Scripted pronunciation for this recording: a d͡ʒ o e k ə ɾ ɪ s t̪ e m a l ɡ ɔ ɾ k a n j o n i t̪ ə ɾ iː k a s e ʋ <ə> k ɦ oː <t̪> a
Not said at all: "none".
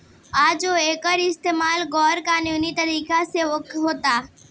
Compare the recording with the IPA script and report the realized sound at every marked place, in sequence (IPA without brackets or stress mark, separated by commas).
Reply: ə, t̪